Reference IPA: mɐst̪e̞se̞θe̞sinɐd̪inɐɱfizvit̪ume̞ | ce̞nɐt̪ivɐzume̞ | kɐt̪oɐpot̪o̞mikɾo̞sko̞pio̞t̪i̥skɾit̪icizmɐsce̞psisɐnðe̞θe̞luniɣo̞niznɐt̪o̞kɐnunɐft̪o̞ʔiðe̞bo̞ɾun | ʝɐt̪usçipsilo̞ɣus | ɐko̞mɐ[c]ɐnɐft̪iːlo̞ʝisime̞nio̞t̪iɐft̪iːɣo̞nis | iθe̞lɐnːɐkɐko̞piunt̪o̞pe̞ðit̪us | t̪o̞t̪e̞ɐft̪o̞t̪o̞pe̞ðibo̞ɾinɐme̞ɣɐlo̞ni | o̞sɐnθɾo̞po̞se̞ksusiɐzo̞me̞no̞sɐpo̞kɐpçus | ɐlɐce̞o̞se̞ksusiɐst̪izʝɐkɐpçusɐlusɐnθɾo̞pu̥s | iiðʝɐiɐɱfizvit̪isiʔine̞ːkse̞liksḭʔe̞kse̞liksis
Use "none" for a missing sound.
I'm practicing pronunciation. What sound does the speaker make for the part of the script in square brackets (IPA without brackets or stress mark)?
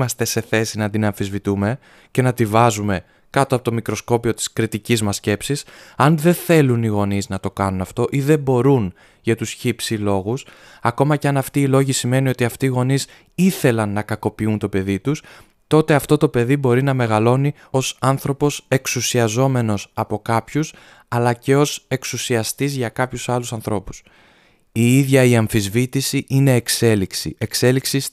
c